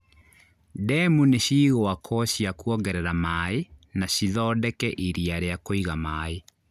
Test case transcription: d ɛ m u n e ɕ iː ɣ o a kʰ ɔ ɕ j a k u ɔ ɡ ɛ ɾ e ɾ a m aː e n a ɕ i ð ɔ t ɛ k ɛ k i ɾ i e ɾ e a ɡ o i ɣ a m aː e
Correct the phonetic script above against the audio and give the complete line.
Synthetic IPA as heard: d ɛ m u n e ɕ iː ɣ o a kʰ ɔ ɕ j a k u ɔ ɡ ɛ ɾ ɛ ɾ a m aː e n a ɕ i ð ɔ d ɛ k ɛ ʔ i ɾ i a ɾ e a k o i ɣ a m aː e